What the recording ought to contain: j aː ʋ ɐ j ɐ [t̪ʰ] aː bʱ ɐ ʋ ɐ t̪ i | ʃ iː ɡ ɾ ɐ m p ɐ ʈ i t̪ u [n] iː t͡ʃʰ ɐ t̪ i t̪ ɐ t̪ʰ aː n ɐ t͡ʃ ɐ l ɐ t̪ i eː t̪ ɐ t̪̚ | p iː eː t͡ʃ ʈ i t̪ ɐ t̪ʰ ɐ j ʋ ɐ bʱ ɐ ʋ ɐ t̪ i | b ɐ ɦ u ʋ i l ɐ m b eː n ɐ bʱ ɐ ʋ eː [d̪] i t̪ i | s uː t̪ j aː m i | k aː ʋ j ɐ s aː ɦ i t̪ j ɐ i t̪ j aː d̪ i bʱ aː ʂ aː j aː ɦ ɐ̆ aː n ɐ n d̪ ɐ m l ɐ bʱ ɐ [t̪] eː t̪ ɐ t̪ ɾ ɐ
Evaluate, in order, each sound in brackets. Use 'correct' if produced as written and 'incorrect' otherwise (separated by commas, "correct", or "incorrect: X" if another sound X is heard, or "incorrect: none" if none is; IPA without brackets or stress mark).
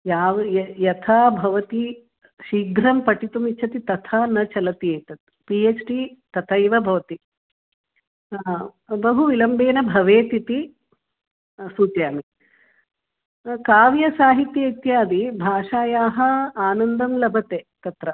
correct, incorrect: m, incorrect: t̪, correct